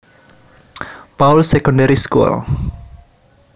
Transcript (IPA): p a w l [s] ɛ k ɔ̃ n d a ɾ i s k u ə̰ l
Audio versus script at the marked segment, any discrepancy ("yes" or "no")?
no